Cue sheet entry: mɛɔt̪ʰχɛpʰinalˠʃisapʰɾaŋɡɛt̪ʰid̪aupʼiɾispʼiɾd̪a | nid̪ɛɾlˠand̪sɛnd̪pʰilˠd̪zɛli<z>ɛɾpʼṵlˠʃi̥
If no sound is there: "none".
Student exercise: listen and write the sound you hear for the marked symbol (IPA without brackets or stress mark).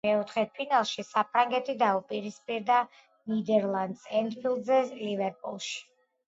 v